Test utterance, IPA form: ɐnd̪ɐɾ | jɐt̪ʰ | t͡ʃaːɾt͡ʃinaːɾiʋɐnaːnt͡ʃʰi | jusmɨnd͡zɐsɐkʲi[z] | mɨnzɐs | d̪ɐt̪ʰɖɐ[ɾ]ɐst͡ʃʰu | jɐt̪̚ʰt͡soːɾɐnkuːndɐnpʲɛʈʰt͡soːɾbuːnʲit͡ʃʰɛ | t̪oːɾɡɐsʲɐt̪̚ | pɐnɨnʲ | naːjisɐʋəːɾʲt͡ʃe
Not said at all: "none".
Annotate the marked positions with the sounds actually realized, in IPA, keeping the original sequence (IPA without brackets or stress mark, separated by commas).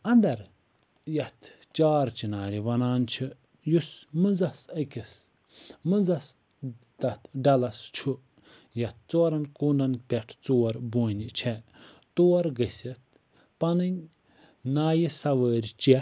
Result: s, l